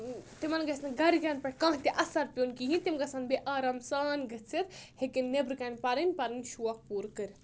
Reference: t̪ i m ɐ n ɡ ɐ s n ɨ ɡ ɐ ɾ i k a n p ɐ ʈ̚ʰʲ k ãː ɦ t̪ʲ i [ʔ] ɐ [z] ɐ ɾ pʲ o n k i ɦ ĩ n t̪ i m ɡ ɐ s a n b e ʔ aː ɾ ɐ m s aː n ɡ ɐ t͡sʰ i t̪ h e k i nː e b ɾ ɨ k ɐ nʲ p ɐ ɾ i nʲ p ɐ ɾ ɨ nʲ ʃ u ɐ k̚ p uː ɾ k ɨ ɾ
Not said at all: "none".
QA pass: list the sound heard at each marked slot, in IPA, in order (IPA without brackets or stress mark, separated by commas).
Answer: ʔ, s